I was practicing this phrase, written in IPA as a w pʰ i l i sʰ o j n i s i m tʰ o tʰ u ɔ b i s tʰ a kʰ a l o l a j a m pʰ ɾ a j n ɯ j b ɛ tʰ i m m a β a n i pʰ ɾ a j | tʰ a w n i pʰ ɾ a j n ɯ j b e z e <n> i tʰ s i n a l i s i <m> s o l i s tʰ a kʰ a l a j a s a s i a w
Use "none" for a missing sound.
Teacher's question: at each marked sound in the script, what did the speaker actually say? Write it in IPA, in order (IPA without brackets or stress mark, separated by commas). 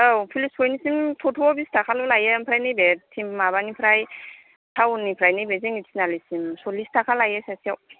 ŋ, m